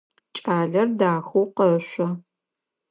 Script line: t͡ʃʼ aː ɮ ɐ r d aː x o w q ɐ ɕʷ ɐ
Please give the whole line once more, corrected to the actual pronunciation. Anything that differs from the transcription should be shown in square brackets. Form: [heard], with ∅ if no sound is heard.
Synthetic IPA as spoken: t͡ʃʼ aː ɮ ɐ r d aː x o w q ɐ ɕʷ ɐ